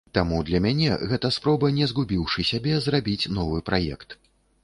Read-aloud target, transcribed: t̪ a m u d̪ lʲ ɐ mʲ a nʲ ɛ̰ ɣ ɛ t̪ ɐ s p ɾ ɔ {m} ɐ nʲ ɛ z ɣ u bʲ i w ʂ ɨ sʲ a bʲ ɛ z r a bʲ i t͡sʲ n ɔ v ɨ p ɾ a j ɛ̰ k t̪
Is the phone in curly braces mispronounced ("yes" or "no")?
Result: yes